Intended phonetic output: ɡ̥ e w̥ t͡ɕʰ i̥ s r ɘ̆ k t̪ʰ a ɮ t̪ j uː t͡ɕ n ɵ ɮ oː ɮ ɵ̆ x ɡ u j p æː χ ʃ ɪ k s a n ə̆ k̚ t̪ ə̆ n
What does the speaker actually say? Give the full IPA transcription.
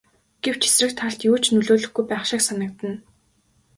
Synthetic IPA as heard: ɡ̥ e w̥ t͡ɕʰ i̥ s r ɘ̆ k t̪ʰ a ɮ t̪ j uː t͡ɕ n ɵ ɮ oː ɮ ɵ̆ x ɡ u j p æː χ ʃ ɪ k s a n ə̆ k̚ t̪ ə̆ n